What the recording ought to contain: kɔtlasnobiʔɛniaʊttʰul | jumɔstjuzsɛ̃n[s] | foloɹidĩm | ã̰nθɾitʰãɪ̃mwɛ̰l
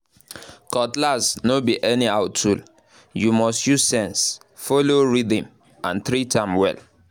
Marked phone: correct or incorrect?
correct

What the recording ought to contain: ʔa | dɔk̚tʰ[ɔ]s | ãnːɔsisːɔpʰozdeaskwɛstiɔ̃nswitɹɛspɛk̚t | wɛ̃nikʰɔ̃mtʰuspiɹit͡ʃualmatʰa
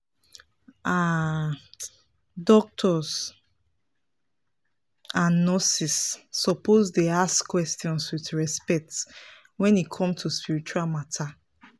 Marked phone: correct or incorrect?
correct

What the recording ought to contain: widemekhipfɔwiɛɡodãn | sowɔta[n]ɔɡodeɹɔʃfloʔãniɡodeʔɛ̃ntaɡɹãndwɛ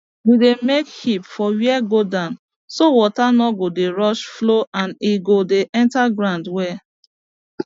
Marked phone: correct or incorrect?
correct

